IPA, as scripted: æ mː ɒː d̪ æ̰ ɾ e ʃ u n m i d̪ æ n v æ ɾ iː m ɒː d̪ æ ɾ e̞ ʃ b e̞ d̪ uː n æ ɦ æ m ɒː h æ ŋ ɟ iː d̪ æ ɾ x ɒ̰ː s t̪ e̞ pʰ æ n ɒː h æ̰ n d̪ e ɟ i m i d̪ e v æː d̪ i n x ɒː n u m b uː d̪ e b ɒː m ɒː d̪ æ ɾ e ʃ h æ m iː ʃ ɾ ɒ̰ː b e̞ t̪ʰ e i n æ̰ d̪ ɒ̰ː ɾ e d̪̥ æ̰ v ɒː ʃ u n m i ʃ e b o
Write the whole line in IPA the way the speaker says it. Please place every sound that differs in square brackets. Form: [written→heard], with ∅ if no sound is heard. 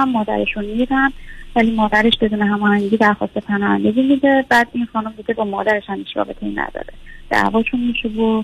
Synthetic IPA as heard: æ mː ɒː d̪ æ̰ ɾ e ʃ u n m i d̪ æ n v æ [ɾ→l] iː m ɒː d̪ æ ɾ e̞ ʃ b e̞ d̪ uː n [æ→e] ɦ æ m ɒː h æ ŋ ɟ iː d̪ æ ɾ x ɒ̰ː s t̪ e̞ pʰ æ n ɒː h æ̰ n d̪ e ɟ i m i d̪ e [v→b] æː d̪ i n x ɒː n u m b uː d̪ e b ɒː m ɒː d̪ æ ɾ e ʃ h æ m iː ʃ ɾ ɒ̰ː b e̞ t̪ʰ e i n æ̰ d̪ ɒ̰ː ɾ e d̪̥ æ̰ v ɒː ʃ u n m i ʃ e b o